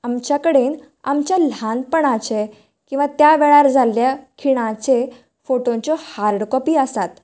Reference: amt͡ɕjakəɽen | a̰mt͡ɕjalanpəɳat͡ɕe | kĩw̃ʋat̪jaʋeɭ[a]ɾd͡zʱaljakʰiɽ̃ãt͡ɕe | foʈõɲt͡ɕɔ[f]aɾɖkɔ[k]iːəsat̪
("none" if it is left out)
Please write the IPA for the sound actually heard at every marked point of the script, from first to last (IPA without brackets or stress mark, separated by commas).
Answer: a, h, p